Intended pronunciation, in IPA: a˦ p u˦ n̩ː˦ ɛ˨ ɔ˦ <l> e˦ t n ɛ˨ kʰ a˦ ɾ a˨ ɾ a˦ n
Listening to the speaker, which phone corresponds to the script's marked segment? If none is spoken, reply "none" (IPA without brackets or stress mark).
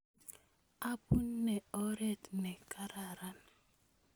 ɾ